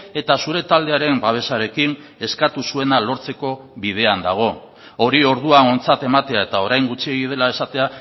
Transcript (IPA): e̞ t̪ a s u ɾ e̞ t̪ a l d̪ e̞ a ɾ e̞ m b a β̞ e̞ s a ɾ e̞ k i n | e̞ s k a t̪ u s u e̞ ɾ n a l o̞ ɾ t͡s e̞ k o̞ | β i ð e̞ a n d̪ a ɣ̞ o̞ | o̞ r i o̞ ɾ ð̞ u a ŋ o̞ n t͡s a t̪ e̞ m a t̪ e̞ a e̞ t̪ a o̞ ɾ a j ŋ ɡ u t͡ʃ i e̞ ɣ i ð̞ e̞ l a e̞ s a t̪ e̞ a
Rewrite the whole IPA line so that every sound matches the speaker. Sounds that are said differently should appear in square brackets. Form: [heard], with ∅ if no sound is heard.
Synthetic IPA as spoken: e̞ t̪ a s u ɾ e̞ t̪ a l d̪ e̞ a ɾ e̞ m b a β̞ e̞ s a ɾ e̞ k i n | e̞ s k a t̪ u s u e̞ [∅] n a l o̞ ɾ t͡s e̞ k o̞ | β i ð e̞ a n d̪ a ɣ̞ o̞ | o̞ [ɾ] i o̞ ɾ ð̞ u a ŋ o̞ n t͡s a t̪ e̞ m a t̪ e̞ a e̞ t̪ a o̞ ɾ a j ŋ ɡ u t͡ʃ i e̞ ɣ i ð̞ e̞ l a e̞ s a t̪ e̞ a

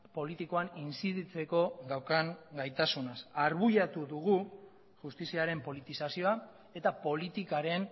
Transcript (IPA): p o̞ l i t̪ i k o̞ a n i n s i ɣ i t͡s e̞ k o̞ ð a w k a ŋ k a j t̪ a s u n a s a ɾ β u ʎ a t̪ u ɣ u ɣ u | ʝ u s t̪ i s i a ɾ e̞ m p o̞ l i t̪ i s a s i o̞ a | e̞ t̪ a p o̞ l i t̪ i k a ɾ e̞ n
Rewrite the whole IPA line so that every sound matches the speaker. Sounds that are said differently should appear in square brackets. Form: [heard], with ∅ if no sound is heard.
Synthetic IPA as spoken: p o̞ l i t̪ i k o̞ a n i n s i [ð] i t͡s e̞ k o̞ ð a w k a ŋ [ɡ] a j t̪ a s u n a s a ɾ β u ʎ a t̪ u [ð] u ɣ u | ʝ u s t̪ i s i a ɾ e̞ m p o̞ l i t̪ i s a s i o̞ a | e̞ t̪ a p o̞ l i t̪ i k a ɾ e̞ n

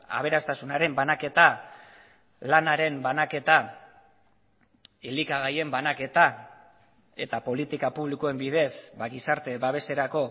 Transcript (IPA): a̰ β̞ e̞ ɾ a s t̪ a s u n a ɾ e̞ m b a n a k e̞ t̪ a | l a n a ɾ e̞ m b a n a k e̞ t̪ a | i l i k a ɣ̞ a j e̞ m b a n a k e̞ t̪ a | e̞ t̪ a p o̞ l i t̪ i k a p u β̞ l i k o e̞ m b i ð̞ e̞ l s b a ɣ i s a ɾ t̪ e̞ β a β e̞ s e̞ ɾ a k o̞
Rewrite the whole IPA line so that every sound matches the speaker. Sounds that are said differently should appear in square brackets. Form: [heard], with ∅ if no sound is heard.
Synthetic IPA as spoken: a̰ β̞ e̞ ɾ a s t̪ a s u n a ɾ e̞ m b a n a k e̞ t̪ a | l a n a ɾ e̞ m b a n a k e̞ t̪ a | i l i k a ɣ̞ a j e̞ m b a n a k e̞ t̪ a | e̞ t̪ a p o̞ l i t̪ i k a p u β̞ l i k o e̞ m b i ð̞ e̞ [∅] s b a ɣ i s a ɾ t̪ e̞ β a β e̞ s e̞ ɾ a k o̞

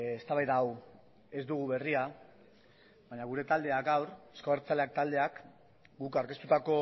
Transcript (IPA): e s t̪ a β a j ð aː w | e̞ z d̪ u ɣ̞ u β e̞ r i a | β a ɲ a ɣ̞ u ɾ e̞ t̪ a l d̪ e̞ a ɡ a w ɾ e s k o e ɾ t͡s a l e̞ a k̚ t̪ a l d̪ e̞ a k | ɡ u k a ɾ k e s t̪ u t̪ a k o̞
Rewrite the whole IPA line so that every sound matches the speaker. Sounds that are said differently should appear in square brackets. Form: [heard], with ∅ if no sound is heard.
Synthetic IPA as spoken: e s t̪ a β a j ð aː w | e̞ z d̪ u ɣ̞ u β e̞ r i a | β a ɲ a ɣ̞ u ɾ e̞ t̪ a l d̪ e̞ a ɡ a w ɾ e s k o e ɾ t͡s a l e̞ a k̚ t̪ a l d̪ e̞ a k | ɡ u k a ɾ k e s t̪ u t̪ a k o̞

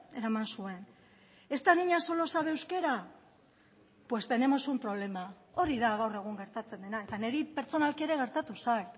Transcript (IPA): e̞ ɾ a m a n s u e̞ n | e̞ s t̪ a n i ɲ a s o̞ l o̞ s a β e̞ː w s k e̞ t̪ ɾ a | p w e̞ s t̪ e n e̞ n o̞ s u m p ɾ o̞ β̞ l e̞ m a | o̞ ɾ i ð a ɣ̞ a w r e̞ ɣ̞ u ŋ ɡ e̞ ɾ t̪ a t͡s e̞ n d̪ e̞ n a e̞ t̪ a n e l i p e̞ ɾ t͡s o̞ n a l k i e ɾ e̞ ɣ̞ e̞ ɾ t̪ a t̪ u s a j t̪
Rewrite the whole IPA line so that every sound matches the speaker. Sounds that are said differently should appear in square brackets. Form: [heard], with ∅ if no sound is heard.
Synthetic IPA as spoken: e̞ ɾ a m a n s u e̞ n | e̞ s t̪ a n i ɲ a s o̞ l o̞ s a β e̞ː w s k e̞ [∅] ɾ a | p w e̞ s t̪ e n e̞ [m] o̞ s u m p ɾ o̞ β̞ l e̞ m a | o̞ ɾ i ð a ɣ̞ a w r e̞ ɣ̞ u ŋ ɡ e̞ ɾ t̪ a t͡s e̞ n d̪ e̞ n a e̞ t̪ a n e [ɾ] i p e̞ ɾ t͡s o̞ n a l k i e ɾ e̞ ɣ̞ e̞ ɾ t̪ a t̪ u s a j t̪

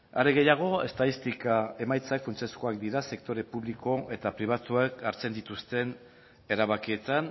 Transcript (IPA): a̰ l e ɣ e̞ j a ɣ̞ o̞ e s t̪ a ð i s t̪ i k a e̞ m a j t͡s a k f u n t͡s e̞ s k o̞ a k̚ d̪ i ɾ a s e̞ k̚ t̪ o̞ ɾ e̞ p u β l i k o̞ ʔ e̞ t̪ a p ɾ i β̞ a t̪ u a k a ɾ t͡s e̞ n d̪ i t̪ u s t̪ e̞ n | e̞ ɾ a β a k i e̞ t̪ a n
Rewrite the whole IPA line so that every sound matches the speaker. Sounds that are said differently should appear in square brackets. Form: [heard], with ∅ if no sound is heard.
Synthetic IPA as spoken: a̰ [ɾ] e ɣ e̞ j a ɣ̞ o̞ e s t̪ a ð i s t̪ i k a e̞ m a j t͡s a k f u n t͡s e̞ s k o̞ a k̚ d̪ i ɾ a s e̞ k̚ t̪ o̞ ɾ e̞ p u β l i k o̞ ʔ e̞ t̪ a p ɾ i β̞ a t̪ u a k a ɾ t͡s e̞ n d̪ i t̪ u s t̪ e̞ n | e̞ ɾ a β a k i e̞ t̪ a n

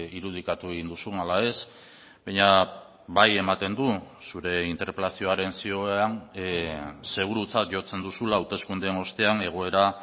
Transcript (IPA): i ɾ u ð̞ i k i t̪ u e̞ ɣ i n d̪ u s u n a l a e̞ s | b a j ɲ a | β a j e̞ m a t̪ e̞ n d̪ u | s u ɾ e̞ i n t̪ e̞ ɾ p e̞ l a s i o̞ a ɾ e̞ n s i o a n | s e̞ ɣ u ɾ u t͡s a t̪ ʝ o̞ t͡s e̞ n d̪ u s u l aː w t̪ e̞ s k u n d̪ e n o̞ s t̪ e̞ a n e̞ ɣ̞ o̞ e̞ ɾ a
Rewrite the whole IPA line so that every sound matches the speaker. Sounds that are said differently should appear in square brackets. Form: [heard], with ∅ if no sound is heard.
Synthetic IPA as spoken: i ɾ u ð̞ i k [a] t̪ u e̞ ɣ i n d̪ u s u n a l a e̞ s | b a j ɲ a | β a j e̞ m a t̪ e̞ n d̪ u | s u ɾ e̞ i n t̪ e̞ ɾ p e̞ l a s i o̞ a ɾ e̞ n s i o a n | s e̞ ɣ u ɾ u t͡s a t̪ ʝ o̞ t͡s e̞ n d̪ u s u l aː w t̪ e̞ s k u n d̪ e n o̞ s t̪ e̞ a n e̞ ɣ̞ o̞ e̞ ɾ a

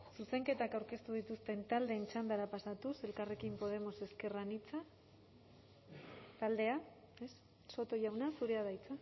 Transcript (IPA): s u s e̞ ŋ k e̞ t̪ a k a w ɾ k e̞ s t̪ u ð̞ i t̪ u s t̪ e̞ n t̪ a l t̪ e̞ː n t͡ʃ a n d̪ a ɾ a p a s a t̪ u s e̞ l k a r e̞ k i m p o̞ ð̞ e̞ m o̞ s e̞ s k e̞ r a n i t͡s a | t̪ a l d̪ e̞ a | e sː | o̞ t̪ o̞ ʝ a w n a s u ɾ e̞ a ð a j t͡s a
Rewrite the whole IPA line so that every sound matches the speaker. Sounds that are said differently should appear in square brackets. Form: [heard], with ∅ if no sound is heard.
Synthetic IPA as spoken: s u s e̞ ŋ k e̞ t̪ a k a w ɾ k e̞ s t̪ u ð̞ i t̪ u s t̪ e̞ n t̪ a l [d̪] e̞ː n t͡ʃ a n d̪ a ɾ a p a s a t̪ u s e̞ l k a r e̞ k i m p o̞ ð̞ e̞ m o̞ s e̞ s k e̞ r a n i t͡s a | t̪ a l d̪ e̞ a | e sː | o̞ t̪ o̞ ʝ a w n a s u ɾ e̞ a ð a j t͡s a

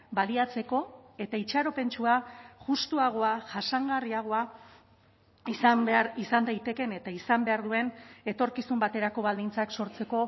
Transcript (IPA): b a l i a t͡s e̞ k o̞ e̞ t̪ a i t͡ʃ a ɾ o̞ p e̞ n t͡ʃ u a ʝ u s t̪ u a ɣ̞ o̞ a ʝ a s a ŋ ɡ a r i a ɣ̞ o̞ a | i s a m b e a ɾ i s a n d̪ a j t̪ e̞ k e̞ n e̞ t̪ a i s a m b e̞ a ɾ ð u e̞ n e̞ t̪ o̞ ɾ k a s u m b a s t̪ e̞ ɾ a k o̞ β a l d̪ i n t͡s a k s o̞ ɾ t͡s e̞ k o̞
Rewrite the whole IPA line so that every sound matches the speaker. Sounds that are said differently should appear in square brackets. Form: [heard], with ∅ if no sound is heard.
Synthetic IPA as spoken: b a l i a t͡s e̞ k o̞ e̞ t̪ a i t͡ʃ a ɾ o̞ p e̞ n t͡ʃ u a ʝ u s t̪ u a ɣ̞ o̞ a ʝ a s a ŋ ɡ a r i a ɣ̞ o̞ a | i s a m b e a ɾ i s a n d̪ a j t̪ e̞ k e̞ n e̞ t̪ a i s a m b e̞ a ɾ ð u e̞ n e̞ t̪ o̞ ɾ k [i] s u m b a [∅] t̪ e̞ ɾ a k o̞ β a l d̪ i n t͡s a k s o̞ ɾ t͡s e̞ k o̞

